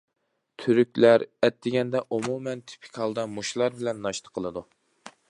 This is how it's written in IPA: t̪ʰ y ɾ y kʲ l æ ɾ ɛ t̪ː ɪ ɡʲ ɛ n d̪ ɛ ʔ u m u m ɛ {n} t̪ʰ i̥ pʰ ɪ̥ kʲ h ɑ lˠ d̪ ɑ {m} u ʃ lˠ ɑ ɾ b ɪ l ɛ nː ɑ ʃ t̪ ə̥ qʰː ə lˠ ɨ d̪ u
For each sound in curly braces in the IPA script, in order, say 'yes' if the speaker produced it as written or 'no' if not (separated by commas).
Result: yes, yes